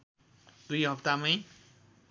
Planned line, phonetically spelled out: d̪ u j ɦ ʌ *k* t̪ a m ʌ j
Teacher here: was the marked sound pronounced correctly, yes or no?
no